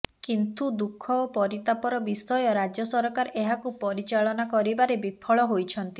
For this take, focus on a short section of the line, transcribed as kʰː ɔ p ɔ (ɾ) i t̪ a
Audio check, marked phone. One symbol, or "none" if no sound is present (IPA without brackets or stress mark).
ɾ